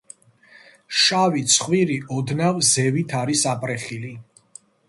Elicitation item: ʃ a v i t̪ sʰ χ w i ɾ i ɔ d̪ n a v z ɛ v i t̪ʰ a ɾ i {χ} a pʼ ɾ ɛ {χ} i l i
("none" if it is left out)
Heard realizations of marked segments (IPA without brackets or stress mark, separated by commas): s, χ